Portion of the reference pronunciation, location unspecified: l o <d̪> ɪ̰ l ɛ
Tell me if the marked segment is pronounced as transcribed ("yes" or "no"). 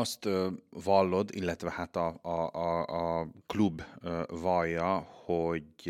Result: yes